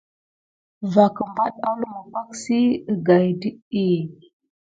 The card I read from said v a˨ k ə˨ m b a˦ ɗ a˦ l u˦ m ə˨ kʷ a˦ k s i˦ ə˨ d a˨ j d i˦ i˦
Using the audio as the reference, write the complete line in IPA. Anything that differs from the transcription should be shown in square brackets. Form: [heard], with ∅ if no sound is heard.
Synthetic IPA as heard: v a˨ k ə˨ m b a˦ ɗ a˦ l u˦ m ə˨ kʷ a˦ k s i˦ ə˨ [ɡ] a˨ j d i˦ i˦